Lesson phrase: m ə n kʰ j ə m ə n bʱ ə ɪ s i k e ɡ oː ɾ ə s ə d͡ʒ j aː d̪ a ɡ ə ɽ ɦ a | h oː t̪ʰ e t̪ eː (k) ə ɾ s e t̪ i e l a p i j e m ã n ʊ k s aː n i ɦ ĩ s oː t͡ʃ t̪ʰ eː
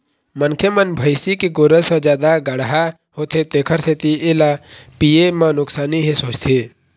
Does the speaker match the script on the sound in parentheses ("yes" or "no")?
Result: no